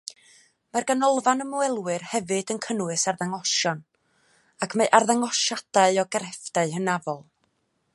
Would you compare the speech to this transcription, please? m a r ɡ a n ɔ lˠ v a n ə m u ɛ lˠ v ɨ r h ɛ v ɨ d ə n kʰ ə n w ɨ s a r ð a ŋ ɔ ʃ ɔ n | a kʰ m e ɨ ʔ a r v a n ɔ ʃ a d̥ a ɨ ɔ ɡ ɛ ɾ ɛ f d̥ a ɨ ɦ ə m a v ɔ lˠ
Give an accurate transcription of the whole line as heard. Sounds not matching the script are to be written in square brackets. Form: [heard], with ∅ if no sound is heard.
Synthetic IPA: m a r ɡ a n ɔ lˠ v a n ə m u ɛ lˠ [w] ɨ r h ɛ v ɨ d ə n kʰ ə n w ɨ s a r ð a ŋ ɔ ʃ ɔ n | a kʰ m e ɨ ʔ a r [ð] a [ŋ] ɔ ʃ a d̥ a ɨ ɔ ɡ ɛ ɾ ɛ f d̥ a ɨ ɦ ə [n] a v ɔ lˠ